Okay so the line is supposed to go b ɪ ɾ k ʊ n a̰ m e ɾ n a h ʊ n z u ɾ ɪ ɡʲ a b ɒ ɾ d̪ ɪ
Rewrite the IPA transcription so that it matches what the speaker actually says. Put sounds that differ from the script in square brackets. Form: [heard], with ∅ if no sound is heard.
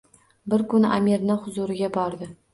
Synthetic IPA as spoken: b ɪ ɾ k ʊ n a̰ m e ɾ n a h ʊ [∅] z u ɾ ɪ ɡʲ a b ɒ ɾ d̪ ɪ